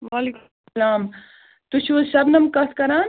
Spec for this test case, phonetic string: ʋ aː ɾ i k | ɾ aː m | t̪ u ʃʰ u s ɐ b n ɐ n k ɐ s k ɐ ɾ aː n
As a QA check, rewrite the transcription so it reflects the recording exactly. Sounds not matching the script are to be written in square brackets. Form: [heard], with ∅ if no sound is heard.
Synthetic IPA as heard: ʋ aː [l] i k | [l] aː m | t̪ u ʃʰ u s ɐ b n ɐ [m] k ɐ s k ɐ ɾ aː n